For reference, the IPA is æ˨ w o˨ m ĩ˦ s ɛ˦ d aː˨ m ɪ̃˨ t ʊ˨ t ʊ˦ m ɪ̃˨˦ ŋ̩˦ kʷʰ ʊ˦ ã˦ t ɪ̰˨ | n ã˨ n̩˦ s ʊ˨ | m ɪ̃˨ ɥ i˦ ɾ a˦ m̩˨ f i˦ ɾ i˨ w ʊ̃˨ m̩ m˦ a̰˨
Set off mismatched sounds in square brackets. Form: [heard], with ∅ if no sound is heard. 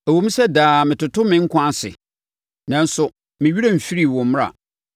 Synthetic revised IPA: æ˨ w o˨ m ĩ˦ s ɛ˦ d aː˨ m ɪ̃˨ t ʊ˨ t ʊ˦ m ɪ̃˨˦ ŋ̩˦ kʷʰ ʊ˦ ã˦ [s] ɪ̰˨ | n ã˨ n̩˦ s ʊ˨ | m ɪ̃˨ ɥ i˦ ɾ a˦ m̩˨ f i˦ ɾ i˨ w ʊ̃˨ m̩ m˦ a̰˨

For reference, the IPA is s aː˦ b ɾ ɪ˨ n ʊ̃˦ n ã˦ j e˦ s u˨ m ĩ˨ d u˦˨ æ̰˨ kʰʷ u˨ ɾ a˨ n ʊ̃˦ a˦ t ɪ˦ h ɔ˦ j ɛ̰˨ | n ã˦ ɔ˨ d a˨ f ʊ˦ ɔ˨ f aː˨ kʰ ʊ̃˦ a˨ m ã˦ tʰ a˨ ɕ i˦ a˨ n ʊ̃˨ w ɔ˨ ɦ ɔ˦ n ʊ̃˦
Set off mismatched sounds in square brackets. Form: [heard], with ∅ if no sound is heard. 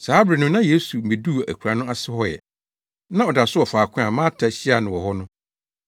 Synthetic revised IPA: s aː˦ b ɾ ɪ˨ n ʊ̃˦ n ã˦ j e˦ s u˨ m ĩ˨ d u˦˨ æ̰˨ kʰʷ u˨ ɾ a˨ n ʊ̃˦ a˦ [s] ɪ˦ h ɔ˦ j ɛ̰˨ | n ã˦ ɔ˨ d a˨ [s] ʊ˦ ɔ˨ f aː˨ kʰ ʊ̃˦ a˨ m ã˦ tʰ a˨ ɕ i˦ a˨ n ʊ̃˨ w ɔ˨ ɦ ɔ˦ n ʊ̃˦

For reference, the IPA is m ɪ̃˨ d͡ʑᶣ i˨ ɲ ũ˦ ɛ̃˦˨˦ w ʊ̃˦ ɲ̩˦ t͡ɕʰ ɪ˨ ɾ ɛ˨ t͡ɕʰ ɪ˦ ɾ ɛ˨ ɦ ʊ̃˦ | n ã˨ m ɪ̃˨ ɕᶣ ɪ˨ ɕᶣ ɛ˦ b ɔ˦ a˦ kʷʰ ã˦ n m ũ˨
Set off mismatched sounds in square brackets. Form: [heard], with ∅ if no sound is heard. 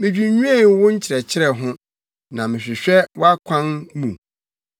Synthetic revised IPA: m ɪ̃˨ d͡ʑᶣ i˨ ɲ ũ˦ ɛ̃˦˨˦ w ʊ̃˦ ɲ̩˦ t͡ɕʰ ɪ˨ ɾ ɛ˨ t͡ɕʰ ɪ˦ ɾ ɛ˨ ɦ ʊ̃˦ | n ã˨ m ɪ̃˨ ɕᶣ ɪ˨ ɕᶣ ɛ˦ [w] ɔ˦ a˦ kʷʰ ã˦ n m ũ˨

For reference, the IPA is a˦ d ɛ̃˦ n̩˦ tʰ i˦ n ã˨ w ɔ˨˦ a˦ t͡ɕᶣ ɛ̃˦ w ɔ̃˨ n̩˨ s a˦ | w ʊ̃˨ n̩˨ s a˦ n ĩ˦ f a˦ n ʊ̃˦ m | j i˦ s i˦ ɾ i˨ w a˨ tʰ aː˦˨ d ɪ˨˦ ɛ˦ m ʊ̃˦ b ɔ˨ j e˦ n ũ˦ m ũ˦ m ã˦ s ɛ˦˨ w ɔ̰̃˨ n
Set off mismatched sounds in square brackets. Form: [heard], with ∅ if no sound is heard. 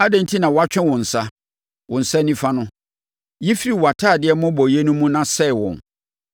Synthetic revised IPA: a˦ d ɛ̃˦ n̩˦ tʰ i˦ n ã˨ w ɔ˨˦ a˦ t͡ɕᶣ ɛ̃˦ w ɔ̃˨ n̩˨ s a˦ | w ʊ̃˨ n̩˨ s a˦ n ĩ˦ f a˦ n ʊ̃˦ [∅] | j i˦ [f] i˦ ɾ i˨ w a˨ tʰ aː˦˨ d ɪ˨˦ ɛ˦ m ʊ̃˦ b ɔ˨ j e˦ n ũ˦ m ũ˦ [n] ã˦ s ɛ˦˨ w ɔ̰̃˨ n

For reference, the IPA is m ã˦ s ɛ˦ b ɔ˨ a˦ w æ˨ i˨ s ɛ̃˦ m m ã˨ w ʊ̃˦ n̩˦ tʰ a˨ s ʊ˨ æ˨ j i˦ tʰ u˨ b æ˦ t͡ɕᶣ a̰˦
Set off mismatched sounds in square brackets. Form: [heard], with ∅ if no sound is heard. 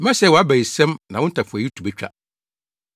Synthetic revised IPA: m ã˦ s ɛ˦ [w] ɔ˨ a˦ [b] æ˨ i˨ s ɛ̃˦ m [n] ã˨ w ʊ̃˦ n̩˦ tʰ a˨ [f] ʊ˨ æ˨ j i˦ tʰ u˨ b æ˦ t͡ɕᶣ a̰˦

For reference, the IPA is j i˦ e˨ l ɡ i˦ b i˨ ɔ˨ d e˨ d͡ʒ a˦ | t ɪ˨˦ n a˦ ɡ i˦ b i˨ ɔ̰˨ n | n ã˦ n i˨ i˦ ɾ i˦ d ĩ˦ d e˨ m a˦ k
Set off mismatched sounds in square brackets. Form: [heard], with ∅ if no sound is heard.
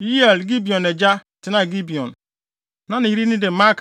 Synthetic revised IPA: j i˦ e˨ l ɡ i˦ b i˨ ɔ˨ [n] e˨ d͡ʒ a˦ | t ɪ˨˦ n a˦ ɡ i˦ b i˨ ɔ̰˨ n | n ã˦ n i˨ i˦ ɾ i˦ [n] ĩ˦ d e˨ m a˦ k

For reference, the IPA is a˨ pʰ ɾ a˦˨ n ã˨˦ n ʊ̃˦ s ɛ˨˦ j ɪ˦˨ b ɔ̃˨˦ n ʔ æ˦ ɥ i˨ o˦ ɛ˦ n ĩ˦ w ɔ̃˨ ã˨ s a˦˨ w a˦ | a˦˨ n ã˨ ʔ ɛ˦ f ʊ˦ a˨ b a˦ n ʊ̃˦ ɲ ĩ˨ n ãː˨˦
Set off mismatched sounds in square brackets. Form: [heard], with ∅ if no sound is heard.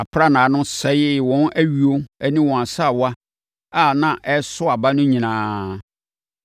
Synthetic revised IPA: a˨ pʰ ɾ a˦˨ n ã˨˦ n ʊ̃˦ s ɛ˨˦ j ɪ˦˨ [w] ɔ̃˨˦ n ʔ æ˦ ɥ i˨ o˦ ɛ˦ n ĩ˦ w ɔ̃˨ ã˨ s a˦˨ w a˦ | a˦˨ n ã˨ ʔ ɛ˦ [s] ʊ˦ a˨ b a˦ n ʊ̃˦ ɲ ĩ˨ n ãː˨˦

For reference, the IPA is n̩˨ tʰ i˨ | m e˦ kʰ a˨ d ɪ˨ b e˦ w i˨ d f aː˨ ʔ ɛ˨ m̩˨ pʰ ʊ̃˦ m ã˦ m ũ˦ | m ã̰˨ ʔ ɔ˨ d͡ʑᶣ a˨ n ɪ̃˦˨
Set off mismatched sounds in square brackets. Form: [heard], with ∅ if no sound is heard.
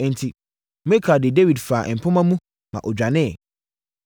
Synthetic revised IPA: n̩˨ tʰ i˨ | m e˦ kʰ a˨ d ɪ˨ [d] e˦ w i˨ d f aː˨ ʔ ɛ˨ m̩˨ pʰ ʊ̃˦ m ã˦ m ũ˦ | m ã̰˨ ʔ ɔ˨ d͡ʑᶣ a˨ n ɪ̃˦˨

